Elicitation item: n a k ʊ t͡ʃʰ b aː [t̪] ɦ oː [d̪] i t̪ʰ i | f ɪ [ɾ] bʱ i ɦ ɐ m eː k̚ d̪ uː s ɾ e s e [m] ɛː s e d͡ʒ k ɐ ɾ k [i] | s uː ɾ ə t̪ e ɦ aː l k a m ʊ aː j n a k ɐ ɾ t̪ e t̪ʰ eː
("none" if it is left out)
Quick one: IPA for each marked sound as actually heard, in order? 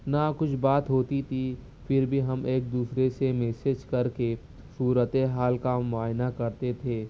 t̪, t̪, ɾ, m, e

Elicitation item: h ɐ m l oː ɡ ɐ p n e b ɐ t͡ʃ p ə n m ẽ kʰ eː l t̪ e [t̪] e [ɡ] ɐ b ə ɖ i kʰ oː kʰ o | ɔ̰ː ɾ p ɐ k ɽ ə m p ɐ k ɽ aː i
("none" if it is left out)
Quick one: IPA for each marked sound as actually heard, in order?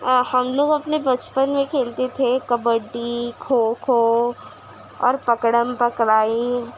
t̪ʰ, k

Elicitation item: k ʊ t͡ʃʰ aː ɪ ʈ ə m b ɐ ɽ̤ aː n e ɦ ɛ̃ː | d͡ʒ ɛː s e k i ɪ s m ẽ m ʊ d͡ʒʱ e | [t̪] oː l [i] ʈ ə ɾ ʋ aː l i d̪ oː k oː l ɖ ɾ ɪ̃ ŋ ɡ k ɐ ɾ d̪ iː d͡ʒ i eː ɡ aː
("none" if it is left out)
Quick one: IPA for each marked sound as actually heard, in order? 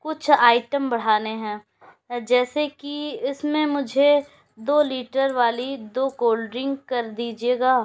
d̪, iː

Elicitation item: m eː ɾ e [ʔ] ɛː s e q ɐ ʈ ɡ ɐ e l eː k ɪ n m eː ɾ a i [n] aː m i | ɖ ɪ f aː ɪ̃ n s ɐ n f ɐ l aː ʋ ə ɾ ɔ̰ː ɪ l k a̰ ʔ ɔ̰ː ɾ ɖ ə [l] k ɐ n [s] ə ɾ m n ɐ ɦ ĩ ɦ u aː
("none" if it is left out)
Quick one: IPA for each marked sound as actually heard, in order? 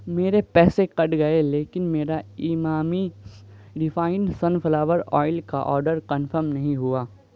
p, m, ɾ, f

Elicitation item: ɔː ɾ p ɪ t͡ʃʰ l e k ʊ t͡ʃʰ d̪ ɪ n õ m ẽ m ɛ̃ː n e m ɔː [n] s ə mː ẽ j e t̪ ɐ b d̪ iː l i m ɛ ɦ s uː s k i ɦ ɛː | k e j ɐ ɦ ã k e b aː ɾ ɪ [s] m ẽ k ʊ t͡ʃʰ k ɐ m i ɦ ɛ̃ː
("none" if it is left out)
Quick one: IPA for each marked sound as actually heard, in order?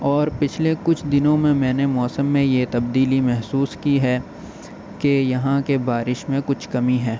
none, ʃ

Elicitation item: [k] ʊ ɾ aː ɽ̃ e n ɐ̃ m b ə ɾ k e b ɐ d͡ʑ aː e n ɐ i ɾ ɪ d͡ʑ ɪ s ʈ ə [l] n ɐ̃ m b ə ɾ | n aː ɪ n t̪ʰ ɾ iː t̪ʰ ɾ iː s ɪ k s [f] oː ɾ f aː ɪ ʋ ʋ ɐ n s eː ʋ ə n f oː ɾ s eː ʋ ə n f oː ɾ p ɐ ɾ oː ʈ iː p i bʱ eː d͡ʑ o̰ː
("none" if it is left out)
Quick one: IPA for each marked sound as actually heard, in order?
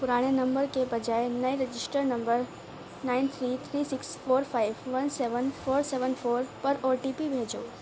p, ɾ, f

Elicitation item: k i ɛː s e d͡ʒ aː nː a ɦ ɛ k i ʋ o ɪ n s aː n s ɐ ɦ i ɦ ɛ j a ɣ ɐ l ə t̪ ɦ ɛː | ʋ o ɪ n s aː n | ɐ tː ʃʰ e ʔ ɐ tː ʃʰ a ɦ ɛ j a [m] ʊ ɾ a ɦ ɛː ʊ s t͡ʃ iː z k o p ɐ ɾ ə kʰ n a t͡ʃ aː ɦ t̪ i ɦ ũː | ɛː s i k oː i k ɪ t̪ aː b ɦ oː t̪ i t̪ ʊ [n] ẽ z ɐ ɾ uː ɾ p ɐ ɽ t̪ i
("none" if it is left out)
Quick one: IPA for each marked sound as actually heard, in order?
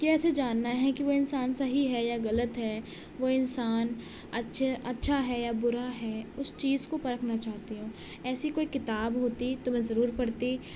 b, m

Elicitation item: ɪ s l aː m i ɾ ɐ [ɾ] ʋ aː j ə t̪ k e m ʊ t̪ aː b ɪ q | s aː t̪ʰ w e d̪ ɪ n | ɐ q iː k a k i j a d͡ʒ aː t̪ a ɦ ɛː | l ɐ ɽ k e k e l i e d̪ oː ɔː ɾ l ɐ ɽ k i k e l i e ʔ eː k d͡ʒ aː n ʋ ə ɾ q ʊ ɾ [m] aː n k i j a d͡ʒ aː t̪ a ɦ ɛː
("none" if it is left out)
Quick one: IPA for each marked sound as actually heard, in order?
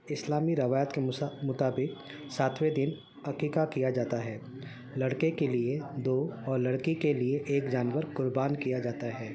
none, b

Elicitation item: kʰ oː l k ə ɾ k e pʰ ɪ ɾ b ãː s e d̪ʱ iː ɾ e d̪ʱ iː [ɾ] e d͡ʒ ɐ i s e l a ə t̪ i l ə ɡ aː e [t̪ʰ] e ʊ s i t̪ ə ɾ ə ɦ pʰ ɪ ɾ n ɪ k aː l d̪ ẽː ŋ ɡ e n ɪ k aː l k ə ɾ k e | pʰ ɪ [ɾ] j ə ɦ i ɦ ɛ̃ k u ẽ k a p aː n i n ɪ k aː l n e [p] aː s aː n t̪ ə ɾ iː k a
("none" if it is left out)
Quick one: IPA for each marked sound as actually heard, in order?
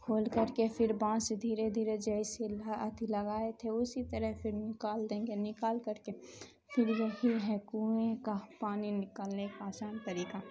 ɾ, t̪ʰ, ɾ, k

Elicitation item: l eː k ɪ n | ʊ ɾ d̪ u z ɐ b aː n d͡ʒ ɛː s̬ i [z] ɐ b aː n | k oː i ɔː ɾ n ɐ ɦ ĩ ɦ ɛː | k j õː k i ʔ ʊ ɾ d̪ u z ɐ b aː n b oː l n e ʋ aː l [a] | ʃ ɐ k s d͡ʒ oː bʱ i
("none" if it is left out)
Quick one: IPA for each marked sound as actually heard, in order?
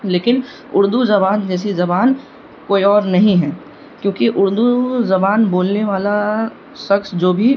z, a

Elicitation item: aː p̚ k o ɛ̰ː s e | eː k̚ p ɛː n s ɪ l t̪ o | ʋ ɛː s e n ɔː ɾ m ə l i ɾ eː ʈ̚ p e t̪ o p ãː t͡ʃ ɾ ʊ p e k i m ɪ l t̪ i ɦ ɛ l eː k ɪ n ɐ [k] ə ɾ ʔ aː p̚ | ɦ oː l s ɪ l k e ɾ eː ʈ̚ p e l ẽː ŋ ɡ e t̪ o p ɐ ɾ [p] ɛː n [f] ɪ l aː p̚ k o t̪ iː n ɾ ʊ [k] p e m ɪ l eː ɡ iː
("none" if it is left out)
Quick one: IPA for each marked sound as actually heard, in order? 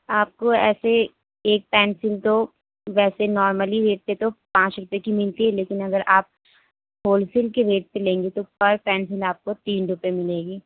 ɡ, p, s, none

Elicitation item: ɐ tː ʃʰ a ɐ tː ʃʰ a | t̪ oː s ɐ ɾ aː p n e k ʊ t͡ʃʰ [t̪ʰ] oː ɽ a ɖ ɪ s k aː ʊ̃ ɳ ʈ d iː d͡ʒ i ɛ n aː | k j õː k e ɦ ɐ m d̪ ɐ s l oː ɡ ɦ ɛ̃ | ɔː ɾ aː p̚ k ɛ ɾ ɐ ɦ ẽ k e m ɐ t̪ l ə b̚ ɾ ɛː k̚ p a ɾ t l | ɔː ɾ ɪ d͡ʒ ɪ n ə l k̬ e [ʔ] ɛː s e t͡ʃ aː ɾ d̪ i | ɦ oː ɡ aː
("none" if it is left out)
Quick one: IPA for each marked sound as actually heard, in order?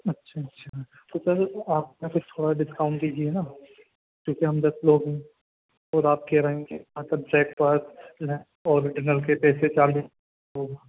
t̪ʰ, p

